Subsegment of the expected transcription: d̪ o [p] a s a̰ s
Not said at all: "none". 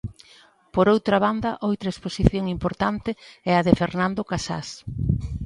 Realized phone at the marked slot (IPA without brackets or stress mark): k